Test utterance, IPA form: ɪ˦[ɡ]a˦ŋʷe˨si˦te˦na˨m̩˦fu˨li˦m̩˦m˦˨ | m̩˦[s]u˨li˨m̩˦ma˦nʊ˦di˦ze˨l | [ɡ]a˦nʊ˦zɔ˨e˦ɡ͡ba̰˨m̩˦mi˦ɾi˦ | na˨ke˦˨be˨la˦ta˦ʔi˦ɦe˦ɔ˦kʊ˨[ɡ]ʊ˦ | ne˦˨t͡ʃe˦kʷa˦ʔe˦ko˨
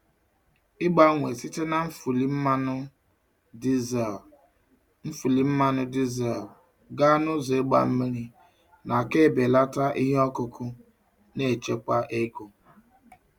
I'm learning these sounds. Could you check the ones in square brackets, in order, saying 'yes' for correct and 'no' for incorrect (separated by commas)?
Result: no, no, yes, no